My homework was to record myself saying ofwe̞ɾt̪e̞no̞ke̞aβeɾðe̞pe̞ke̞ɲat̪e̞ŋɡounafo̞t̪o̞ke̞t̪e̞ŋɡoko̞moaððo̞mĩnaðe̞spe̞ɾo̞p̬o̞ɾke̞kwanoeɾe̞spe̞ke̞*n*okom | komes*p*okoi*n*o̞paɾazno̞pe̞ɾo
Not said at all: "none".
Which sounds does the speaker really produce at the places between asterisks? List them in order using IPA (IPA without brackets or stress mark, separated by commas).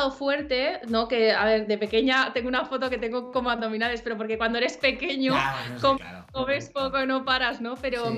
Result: ɲ, p, n